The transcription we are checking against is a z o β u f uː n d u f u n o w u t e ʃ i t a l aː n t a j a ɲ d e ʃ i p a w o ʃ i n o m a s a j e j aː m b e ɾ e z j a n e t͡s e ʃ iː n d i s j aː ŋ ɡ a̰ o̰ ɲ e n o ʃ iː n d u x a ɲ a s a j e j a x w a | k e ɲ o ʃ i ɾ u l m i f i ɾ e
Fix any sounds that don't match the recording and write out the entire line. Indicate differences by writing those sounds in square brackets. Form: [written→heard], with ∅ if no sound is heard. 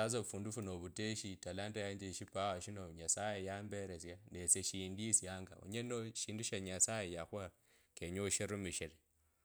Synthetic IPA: a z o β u f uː n d u f u n o [w→β] u t e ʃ i t a l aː n t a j a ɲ [d→d͡ʒ] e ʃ i p a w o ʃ i n o [m→ɲ] a s a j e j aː m b e ɾ e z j a n e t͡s e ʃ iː n d i s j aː ŋ ɡ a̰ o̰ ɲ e n o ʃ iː n d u [x→ʃ] a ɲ a s a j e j a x w a | k e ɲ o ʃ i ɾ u [l→∅] m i [f→ʃ] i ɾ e